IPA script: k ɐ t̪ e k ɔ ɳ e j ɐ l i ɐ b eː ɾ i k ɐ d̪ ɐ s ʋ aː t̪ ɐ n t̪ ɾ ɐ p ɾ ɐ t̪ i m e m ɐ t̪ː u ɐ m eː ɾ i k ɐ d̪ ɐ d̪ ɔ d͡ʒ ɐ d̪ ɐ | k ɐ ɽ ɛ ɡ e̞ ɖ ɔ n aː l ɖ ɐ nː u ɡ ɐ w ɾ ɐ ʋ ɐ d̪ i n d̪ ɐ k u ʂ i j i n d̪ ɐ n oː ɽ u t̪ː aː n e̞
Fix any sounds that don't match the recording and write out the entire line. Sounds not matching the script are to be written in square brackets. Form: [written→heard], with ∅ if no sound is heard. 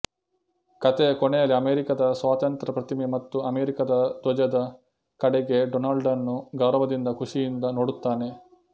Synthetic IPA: k ɐ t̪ e k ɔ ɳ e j ɐ l i ɐ [b→m] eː ɾ i k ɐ d̪ ɐ s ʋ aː t̪ ɐ n t̪ ɾ ɐ p ɾ ɐ t̪ i m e m ɐ t̪ː u ɐ m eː ɾ i k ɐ d̪ ɐ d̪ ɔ d͡ʒ ɐ d̪ ɐ | k ɐ ɽ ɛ ɡ e̞ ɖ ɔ n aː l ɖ ɐ nː u ɡ ɐ w ɾ ɐ ʋ ɐ d̪ i n d̪ ɐ k u ʂ i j i n d̪ ɐ n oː ɽ u t̪ː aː n e̞

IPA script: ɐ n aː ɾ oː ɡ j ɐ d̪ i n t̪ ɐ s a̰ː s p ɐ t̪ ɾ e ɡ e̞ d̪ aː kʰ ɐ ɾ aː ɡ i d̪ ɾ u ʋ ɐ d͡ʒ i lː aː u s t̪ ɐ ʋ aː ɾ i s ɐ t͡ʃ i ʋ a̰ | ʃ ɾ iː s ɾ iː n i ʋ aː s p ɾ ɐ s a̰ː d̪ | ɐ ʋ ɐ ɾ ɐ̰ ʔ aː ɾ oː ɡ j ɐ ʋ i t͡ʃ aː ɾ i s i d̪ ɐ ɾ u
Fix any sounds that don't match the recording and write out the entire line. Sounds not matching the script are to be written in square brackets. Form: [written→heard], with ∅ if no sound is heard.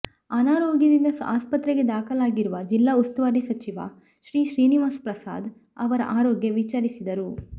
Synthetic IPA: ɐ n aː ɾ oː ɡ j ɐ d̪ i n [t̪→d̪] ɐ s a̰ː s p ɐ t̪ ɾ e ɡ e̞ d̪ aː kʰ ɐ [ɾ→l] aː ɡ i [d̪→∅] ɾ u ʋ ɐ d͡ʒ i lː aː u s t̪ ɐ ʋ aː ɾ i s ɐ t͡ʃ i ʋ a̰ | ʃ ɾ iː [s→ʃ] ɾ iː n i ʋ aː s p ɾ ɐ s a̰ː d̪ | ɐ ʋ ɐ ɾ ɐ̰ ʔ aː ɾ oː ɡ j ɐ ʋ i t͡ʃ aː ɾ i s i d̪ ɐ ɾ u

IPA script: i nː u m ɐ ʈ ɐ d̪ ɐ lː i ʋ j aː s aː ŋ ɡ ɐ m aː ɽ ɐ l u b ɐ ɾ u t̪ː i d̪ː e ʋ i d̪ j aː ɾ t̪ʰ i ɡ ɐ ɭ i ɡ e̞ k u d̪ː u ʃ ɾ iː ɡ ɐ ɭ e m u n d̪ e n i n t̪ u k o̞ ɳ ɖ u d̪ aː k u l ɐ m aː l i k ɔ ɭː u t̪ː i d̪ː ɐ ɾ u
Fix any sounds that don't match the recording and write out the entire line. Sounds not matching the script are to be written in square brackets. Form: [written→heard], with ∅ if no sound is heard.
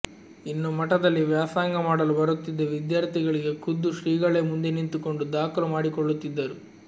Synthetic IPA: i nː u m ɐ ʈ ɐ d̪ ɐ lː i ʋ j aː s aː ŋ ɡ ɐ m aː ɽ ɐ l u b ɐ ɾ u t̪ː i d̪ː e ʋ i d̪ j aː ɾ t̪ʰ i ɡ ɐ ɭ i ɡ e̞ k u d̪ː u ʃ ɾ iː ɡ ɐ ɭ e m u n d̪ e n i n t̪ u k o̞ ɳ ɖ u d̪ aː k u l ɐ m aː [l→ɽ] i k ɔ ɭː u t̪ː i d̪ː ɐ ɾ u

